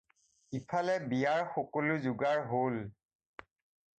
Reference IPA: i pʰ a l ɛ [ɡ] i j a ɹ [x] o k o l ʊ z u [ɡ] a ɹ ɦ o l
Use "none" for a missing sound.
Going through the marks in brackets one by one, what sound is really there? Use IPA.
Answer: b, x, ɡ

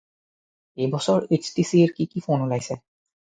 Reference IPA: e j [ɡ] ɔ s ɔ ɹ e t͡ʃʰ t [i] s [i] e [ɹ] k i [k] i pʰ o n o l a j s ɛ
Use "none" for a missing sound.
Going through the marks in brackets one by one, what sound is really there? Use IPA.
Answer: b, i, i, ɹ, k

